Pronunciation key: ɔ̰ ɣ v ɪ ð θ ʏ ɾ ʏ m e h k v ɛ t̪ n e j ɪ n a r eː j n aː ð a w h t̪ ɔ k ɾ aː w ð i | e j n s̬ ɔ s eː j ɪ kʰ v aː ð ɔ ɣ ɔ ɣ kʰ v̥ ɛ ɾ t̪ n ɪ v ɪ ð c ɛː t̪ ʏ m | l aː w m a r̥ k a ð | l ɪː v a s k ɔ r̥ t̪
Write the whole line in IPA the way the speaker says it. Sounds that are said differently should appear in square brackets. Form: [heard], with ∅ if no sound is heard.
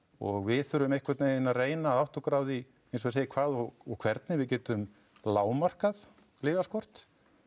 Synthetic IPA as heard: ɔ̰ ɣ v ɪ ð θ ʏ ɾ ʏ m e h k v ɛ t̪ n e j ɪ n a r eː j n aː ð a w h t̪ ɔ k ɾ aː w ð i | e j n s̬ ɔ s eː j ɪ kʰ v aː ð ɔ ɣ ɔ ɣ kʰ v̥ ɛ ɾ t̪ n ɪ v ɪ ð c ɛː t̪ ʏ m | l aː w m a r̥ k a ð | l ɪː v a s k ɔ r̥ t̪